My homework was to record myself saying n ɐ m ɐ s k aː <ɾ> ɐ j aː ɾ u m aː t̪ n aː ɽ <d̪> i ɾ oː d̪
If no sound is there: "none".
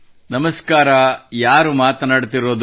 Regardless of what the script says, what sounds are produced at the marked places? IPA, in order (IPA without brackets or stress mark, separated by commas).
ɾ, t̪